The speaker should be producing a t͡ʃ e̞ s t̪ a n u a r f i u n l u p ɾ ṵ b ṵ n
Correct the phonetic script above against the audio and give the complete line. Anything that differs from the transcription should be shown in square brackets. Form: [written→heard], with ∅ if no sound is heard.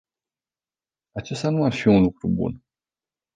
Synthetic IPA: a t͡ʃ e̞ s t̪ a n u a r f i u n l u [p→k] ɾ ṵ b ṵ n